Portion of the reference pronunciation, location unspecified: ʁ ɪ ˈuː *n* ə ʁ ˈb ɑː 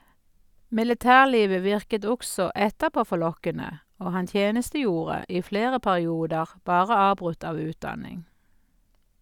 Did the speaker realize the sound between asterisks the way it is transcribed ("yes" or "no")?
no